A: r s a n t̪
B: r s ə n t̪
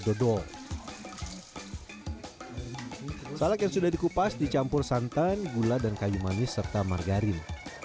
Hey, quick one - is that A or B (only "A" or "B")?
A